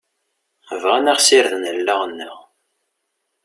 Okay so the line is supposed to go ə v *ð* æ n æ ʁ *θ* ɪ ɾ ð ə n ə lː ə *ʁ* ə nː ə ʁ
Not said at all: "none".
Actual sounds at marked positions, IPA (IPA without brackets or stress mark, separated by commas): ʁ, s, ʁ